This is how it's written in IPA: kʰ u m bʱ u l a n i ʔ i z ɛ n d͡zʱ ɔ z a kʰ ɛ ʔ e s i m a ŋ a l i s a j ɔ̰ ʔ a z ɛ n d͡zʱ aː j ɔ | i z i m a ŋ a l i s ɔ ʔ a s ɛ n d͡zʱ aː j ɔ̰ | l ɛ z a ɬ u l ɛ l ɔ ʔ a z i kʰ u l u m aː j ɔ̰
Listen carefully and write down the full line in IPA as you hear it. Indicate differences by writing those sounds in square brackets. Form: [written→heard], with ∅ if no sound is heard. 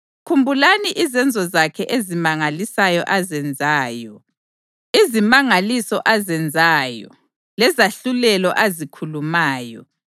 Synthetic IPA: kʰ u m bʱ u l a n i ʔ i z ɛ n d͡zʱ ɔ z a kʰ ɛ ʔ e [s→z] i m a ŋ a l i s a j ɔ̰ ʔ a z ɛ n d͡zʱ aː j ɔ | i z i m a ŋ a l i s ɔ ʔ a [s→z] ɛ n d͡zʱ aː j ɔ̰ | l ɛ z a ɬ u l ɛ l ɔ ʔ a z i kʰ u l u m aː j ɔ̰